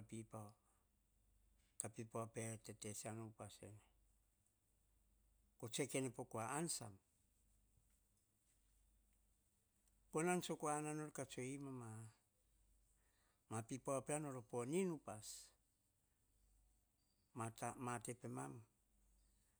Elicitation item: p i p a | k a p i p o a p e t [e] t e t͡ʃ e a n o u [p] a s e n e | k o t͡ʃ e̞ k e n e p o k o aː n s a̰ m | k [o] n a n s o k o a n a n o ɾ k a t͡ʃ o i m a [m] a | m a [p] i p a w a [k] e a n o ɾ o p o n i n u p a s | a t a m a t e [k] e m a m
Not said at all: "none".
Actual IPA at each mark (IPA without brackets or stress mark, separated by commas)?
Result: e, p, o, m, p, p, p